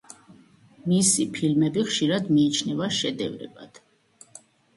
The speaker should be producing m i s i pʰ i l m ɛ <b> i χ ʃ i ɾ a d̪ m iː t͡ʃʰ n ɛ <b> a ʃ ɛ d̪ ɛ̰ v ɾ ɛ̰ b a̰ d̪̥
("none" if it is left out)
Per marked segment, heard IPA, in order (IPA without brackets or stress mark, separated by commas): b, v